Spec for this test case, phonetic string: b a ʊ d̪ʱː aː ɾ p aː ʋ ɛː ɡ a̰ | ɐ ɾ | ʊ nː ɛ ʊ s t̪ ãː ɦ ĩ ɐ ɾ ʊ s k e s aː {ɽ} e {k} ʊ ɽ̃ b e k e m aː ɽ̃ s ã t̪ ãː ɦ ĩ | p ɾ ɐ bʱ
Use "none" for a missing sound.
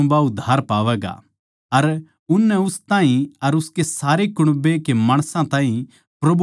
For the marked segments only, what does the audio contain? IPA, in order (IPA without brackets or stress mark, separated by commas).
ɾ, k